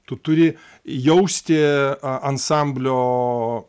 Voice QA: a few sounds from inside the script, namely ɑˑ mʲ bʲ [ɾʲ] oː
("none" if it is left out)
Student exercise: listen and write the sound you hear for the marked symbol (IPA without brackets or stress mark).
lʲ